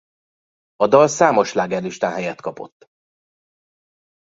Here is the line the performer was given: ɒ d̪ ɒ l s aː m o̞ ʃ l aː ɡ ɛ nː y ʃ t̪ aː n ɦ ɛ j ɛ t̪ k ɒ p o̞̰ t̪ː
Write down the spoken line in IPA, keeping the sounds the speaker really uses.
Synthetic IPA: ɒ d̪ ɒ l s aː m o̞ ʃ l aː ɡ ɛ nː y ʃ t̪ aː n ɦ ɛ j ɛ t̪ k ɒ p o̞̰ t̪ː